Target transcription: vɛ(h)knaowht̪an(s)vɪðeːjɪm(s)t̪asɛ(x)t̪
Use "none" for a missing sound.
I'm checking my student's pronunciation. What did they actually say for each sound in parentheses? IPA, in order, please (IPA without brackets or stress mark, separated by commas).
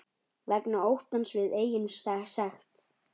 none, s, s, x